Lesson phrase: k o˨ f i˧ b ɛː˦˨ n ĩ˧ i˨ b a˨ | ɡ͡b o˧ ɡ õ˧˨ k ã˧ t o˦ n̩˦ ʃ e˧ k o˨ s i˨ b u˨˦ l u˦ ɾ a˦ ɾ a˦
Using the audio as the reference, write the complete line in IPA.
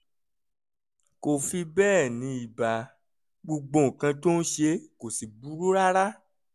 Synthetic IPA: k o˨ f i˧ b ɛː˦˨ n ĩ˧ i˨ b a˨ | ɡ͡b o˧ ɡ͡b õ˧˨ k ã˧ t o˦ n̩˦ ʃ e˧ k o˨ s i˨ b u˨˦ ɾ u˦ ɾ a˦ ɾ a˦